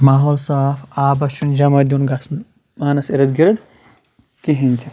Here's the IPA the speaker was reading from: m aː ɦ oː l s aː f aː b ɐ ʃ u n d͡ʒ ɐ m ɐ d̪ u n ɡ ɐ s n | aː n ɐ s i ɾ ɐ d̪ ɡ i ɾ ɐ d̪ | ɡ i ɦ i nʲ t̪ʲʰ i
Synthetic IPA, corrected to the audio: m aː ɦ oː l s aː f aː b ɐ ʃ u n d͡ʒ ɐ m ɐ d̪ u n ɡ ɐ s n | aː n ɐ s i ɾ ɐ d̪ ɡ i ɾ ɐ d̪ | k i ɦ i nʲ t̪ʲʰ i